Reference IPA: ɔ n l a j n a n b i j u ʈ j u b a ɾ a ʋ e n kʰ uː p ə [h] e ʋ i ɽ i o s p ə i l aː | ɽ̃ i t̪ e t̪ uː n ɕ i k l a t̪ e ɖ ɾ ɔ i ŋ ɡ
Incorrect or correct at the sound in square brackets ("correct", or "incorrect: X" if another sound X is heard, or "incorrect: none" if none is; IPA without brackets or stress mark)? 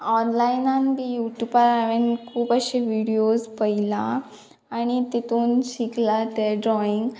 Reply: incorrect: ɕ